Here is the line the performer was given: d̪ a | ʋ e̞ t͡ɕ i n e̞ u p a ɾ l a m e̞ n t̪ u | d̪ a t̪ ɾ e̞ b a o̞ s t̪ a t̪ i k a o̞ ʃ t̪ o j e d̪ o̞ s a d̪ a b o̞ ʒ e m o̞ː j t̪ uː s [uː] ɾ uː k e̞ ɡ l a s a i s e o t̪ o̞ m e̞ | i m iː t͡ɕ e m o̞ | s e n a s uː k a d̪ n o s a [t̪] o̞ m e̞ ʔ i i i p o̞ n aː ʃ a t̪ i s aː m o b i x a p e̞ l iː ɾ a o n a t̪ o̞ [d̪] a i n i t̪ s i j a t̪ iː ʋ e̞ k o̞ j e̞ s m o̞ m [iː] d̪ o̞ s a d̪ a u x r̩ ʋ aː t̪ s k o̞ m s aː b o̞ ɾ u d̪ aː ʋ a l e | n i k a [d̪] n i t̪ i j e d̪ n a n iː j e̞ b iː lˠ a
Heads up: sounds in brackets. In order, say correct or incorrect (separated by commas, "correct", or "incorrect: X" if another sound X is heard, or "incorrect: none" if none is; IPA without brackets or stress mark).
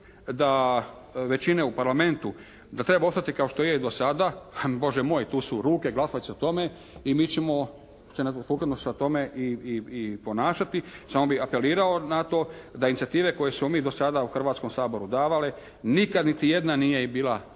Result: incorrect: u, correct, correct, correct, correct